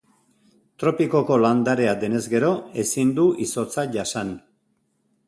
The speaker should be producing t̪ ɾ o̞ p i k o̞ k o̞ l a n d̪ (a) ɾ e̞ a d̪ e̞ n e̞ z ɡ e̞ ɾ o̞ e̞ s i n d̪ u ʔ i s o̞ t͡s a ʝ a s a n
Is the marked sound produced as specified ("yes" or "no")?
yes